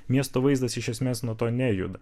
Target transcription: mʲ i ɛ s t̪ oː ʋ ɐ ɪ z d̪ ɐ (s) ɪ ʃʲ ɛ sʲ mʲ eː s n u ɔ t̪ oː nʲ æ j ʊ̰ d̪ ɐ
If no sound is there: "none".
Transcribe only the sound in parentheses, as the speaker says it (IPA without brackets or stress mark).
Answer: s